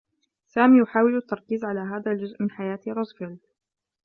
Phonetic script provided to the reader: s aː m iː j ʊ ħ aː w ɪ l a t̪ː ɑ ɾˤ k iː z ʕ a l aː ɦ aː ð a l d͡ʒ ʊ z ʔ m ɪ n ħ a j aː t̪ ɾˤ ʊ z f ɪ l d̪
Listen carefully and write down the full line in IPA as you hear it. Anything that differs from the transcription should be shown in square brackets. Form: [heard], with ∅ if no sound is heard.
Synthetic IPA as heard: s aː m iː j ʊ ħ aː w ɪ l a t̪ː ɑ ɾˤ k iː z ʕ a l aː ɦ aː ð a l d͡ʒ ʊ z ʔ m ɪ n ħ a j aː t̪ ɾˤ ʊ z f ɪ l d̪